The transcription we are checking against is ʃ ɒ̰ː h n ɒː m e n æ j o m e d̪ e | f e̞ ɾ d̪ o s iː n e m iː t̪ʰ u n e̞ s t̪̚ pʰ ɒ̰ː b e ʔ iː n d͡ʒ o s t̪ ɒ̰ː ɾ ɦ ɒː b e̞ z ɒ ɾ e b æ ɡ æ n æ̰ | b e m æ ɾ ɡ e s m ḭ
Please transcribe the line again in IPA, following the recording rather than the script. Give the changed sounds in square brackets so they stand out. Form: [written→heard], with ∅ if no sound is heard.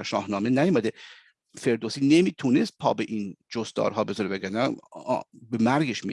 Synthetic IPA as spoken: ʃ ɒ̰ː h n ɒː m e n æ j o m [e→æ] d̪ e | f e̞ ɾ d̪ o s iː n e m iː t̪ʰ u n e̞ s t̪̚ pʰ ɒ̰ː b e ʔ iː n d͡ʒ o s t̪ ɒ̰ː ɾ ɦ ɒː b e̞ z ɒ ɾ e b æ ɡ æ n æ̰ | b e m æ ɾ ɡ e [s→ʃ] m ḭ